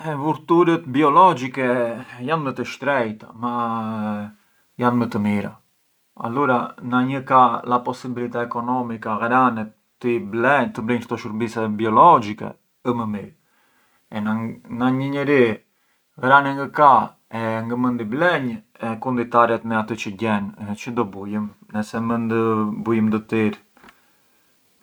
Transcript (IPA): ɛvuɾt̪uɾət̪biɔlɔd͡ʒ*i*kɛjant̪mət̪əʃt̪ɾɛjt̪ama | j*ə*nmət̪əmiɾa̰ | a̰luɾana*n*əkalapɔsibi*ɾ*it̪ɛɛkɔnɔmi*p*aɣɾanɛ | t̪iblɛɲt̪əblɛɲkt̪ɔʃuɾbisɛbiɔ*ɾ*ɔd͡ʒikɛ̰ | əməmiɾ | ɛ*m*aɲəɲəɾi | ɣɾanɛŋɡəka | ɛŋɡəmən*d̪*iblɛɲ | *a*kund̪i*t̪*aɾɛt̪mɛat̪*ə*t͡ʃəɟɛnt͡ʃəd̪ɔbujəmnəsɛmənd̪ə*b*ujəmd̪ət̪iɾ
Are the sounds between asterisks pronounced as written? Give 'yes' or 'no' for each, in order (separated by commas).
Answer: yes, no, no, no, no, no, no, yes, no, yes, yes, yes